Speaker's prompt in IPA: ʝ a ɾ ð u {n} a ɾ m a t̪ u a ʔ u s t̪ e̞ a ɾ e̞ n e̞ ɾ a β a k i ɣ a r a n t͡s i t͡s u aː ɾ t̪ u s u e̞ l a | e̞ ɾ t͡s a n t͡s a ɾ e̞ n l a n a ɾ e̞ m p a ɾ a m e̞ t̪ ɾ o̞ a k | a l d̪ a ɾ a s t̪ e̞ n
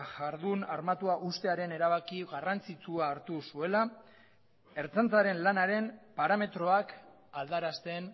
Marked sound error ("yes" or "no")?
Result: no